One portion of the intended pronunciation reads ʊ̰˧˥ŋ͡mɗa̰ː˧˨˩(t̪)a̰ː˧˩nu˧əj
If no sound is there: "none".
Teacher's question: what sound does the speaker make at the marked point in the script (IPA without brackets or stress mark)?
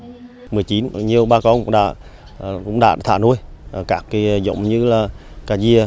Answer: t̪ʰ